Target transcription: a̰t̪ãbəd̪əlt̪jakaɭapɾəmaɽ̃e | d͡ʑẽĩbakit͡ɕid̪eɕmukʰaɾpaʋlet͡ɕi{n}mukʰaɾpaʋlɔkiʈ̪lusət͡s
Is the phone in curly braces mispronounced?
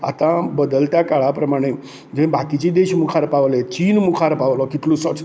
no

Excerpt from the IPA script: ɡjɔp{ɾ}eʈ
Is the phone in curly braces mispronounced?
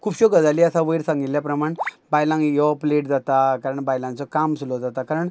yes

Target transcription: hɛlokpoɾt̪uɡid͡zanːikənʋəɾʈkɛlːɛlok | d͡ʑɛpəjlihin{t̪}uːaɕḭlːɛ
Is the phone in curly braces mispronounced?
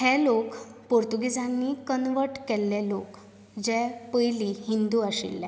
yes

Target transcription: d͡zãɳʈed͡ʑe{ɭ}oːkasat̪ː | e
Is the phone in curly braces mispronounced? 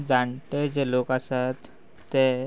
yes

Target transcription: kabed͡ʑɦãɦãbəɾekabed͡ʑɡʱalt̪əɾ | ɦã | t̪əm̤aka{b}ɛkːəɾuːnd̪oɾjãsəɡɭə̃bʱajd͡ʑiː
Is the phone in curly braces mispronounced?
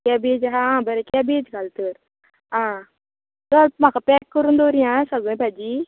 yes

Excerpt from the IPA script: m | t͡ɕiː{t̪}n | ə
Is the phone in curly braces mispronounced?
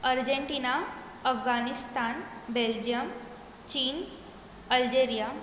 yes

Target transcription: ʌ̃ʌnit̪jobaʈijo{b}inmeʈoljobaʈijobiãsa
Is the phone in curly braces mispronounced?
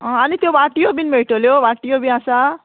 no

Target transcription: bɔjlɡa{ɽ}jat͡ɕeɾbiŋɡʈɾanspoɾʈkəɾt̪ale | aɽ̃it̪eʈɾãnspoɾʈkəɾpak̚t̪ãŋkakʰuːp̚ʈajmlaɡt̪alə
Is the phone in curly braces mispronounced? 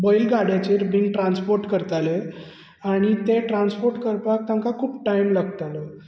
no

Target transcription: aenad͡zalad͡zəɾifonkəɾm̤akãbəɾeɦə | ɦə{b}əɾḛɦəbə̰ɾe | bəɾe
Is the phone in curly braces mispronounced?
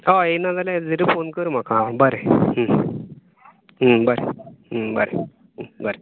no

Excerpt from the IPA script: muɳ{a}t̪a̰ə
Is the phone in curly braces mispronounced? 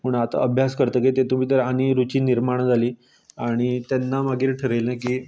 no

